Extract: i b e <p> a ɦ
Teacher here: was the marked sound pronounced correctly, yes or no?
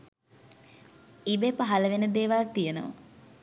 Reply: yes